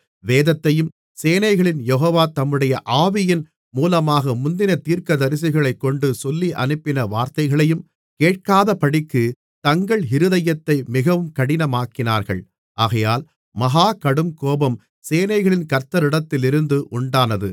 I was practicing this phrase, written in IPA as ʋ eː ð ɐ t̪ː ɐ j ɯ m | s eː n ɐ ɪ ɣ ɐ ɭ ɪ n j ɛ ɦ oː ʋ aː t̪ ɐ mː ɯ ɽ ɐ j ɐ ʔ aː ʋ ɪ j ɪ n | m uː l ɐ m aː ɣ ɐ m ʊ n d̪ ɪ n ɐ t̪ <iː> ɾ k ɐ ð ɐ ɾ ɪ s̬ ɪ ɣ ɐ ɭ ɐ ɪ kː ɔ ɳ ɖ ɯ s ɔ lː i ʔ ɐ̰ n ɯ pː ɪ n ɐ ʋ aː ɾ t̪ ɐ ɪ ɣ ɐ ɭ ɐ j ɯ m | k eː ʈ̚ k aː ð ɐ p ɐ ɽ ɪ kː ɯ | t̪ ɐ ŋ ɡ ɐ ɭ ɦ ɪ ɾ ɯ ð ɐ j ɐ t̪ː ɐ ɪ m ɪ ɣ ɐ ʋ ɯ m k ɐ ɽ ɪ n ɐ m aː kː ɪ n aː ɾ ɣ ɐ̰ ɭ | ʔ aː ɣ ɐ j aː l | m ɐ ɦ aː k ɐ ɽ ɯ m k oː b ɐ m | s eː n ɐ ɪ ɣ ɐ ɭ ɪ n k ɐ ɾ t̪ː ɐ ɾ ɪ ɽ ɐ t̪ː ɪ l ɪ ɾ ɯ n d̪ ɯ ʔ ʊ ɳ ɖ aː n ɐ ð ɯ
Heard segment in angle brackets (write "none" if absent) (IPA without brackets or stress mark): iː